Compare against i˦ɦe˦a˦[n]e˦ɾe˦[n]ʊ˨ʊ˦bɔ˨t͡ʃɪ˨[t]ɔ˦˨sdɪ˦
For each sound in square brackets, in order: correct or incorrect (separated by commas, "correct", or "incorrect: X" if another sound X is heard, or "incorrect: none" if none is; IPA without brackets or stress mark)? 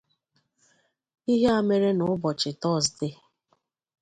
incorrect: m, correct, correct